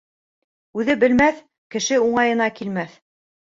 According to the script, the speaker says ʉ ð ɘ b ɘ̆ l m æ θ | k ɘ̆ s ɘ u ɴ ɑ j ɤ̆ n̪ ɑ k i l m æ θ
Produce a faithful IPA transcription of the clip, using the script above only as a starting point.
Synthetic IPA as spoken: ʉ ð ɘ b ɘ̆ l m æ θ | k ɘ̆ ʃ ɘ u ɴ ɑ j ɤ̆ n̪ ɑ k i l m æ θ